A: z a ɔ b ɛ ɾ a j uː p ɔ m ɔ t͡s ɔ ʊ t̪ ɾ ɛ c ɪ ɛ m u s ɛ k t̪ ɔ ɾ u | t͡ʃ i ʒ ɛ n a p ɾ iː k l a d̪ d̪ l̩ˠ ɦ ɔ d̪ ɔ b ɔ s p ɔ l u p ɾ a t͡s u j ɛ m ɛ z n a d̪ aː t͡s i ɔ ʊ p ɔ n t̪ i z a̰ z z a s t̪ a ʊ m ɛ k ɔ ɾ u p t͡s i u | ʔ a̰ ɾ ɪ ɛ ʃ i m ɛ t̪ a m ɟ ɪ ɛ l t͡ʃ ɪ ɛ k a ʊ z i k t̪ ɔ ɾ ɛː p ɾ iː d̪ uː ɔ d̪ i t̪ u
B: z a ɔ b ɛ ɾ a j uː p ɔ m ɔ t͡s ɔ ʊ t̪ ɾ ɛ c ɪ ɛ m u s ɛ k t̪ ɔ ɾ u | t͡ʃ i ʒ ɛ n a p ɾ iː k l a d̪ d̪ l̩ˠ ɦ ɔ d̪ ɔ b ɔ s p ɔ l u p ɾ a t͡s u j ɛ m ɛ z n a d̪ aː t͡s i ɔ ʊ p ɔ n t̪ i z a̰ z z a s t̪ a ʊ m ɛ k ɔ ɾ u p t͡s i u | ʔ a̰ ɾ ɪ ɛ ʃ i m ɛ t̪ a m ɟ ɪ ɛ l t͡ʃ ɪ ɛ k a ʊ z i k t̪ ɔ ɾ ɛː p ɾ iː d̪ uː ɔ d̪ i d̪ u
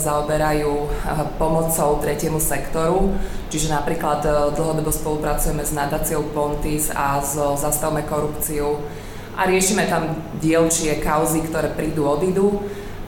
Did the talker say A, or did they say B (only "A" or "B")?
B